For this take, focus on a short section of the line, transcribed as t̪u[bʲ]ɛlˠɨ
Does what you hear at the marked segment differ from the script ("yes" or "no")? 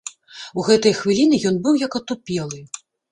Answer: yes